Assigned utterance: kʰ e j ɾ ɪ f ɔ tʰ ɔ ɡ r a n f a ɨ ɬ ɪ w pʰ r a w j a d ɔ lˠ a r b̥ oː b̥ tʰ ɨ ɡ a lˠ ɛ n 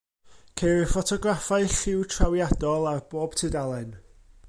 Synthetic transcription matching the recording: kʰ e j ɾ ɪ f ɔ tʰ ɔ ɡ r a f a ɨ ɬ ɪ w tʰ r a w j a d ɔ lˠ a r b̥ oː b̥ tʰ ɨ d a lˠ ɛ n